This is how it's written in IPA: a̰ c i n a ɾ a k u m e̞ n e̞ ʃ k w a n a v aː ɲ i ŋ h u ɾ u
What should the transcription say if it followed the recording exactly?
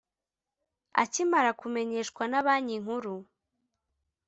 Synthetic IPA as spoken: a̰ c i m a ɾ a k u m e̞ ɲ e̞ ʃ k w a n a β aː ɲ i ŋ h u ɾ u

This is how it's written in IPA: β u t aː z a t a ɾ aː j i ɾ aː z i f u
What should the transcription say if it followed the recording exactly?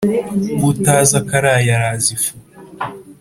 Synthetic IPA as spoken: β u t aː z a k a ɾ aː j a ɾ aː z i f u

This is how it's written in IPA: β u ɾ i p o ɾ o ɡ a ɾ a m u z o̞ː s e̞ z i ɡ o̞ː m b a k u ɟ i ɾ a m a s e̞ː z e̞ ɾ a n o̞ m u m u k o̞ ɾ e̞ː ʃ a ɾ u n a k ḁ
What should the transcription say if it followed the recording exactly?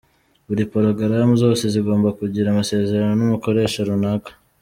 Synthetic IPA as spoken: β u ɾ i p o ɾ o ɡ a ɾ a m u z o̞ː s e̞ z i ɡ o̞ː m b a k u ɟ i ɾ a m a s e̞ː z e̞ ɾ a n o̞ n u m u k o̞ ɾ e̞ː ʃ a ɾ u n a k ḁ

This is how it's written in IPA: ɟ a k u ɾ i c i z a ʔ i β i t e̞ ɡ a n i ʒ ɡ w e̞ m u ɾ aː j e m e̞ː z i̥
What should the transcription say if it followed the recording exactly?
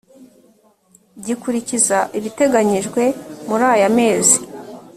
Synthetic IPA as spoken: ɟ i k u ɾ i c i z a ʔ i β i t e̞ ɡ a ɲ i ʒ ɡ w e̞ m u ɾ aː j a m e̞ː z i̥

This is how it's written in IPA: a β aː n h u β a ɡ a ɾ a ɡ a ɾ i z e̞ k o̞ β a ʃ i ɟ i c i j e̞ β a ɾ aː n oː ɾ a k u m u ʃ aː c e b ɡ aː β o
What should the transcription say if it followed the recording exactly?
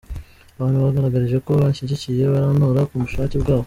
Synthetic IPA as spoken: a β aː n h u β a ɡ a ɾ a ɡ a ɾ i ʒ e̞ k o̞ β a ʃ i ɟ i c i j e̞ β a ɾ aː n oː ɾ a k u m u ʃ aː c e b ɡ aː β o

